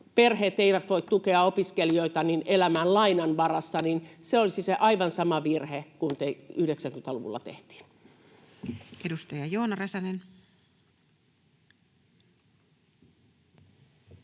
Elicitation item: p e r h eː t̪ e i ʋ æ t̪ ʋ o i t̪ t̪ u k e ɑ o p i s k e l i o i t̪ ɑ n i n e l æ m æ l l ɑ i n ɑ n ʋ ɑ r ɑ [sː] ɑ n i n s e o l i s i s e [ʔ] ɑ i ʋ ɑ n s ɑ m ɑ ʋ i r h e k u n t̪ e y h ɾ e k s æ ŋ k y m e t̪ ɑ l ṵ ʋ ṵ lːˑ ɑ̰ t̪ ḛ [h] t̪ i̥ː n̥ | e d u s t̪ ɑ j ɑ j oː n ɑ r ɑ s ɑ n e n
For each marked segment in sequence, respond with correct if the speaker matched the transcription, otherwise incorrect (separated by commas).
correct, correct, correct